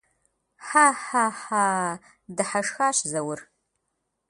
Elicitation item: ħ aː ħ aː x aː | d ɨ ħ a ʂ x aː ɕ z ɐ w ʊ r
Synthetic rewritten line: ħ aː ħ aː ħ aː | d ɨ ħ a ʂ x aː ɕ z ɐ w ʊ r